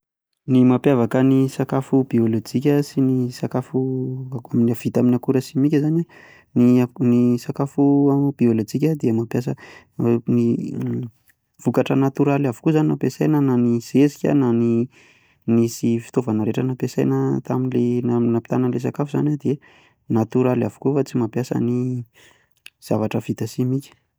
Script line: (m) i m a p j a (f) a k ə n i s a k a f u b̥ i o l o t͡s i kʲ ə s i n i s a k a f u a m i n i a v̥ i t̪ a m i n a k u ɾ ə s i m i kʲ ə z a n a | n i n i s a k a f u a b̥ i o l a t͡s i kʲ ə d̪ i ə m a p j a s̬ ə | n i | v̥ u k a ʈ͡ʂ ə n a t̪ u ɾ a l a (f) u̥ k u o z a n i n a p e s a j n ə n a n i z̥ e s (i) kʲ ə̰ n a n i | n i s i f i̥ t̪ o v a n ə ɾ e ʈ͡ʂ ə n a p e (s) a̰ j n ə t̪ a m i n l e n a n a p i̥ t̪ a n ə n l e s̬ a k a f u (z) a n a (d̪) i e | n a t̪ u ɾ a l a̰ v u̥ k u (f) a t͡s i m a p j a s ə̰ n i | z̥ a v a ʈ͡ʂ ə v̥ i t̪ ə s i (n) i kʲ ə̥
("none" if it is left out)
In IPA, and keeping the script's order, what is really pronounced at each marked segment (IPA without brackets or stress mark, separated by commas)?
n, v, v, i, s, z, d̪, f, m